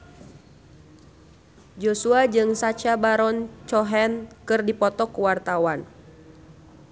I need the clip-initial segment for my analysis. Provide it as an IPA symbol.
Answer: d͡ʒ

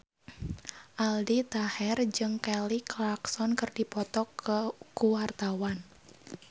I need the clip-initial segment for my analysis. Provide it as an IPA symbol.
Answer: ʔ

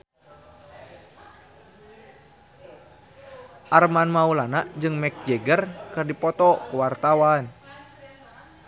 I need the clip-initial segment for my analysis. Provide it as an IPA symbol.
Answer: ʔ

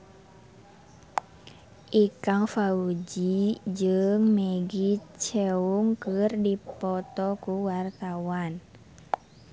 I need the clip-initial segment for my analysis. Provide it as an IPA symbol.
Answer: ʔ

